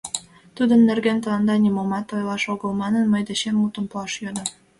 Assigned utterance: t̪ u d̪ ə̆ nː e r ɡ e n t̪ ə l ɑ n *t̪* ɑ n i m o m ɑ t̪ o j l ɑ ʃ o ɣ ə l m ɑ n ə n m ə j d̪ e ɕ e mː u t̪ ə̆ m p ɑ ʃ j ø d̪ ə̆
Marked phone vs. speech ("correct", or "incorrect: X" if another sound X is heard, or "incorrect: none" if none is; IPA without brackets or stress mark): incorrect: d̪